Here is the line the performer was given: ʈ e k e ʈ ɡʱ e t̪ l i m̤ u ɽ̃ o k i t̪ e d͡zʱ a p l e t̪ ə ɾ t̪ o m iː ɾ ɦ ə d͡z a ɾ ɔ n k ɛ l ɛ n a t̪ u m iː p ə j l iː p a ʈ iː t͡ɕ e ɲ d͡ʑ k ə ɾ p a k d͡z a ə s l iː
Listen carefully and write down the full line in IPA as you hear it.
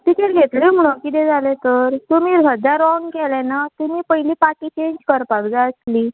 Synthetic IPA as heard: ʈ i k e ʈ ɡʱ e t̪ l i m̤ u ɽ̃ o k i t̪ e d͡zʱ a l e t̪ ə ɾ t̪ u m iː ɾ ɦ ə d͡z a ɾ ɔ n k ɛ l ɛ n a t̪ u m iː p ə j l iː p a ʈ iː t͡ɕ e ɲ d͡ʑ k ə ɾ p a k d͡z a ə s l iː